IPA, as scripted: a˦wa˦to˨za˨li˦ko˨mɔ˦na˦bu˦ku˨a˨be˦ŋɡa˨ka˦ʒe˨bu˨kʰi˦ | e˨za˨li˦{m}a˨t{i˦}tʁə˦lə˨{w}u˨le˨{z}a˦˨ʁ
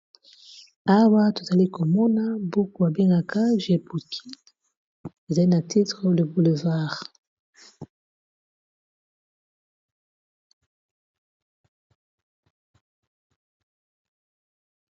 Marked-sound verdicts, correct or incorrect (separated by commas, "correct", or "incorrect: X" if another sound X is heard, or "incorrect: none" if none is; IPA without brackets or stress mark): incorrect: n, correct, incorrect: b, incorrect: v